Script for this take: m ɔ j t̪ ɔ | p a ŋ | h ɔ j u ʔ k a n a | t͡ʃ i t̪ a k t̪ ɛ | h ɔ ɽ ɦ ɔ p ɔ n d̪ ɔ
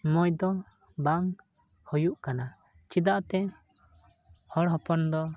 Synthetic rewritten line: m ɔ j d̪ ɔ | b a ŋ | h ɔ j u ʔ k a n a | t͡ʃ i d̪ a ʔ t̪ ɛ | h ɔ ɽ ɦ ɔ p ɔ n d̪ ɔ